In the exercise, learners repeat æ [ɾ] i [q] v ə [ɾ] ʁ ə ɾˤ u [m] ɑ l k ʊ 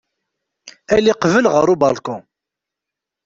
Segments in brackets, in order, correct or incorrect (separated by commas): incorrect, correct, incorrect, incorrect